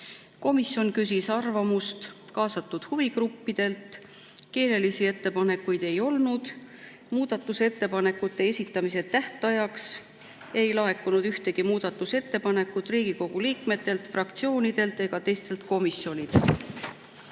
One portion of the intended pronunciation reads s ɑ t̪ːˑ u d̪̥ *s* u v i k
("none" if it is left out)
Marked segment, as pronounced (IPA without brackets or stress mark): h